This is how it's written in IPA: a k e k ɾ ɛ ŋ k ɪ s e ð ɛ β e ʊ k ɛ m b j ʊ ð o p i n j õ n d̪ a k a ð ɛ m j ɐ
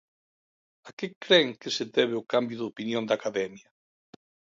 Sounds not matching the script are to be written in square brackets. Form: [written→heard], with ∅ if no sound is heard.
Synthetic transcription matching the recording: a k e k ɾ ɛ ŋ k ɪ s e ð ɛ β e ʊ k [ɛ→a] m b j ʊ ð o p i n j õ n d̪ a k a ð ɛ m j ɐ